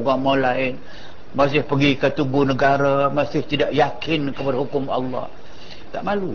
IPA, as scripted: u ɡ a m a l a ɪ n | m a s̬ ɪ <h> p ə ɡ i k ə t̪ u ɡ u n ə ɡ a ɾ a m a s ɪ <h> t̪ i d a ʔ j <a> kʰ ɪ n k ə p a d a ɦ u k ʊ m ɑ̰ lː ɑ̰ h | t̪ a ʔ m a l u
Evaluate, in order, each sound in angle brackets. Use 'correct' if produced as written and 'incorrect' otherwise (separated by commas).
correct, correct, correct